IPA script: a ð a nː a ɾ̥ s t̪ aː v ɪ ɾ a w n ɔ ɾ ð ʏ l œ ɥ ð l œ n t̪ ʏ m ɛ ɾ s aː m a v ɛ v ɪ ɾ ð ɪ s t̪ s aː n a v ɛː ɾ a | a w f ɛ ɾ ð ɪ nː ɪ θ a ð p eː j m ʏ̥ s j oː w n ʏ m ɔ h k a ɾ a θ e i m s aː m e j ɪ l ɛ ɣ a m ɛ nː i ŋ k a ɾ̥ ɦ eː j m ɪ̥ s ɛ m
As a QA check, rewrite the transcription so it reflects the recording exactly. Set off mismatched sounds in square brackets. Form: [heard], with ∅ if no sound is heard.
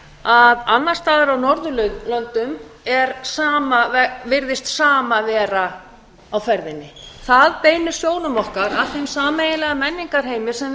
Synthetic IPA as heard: a ð a nː a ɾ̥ s t̪ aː [ð] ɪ ɾ a w n ɔ ɾ ð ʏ l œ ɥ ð l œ n t̪ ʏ m ɛ ɾ s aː m a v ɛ v ɪ ɾ ð ɪ s t̪ s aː [m] a v ɛː ɾ a | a w f ɛ ɾ ð ɪ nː ɪ θ a ð p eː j [n] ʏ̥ s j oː w n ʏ m ɔ h k a ɾ a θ e [j] m s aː m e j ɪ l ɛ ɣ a m ɛ nː i ŋ k a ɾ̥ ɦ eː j m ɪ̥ s ɛ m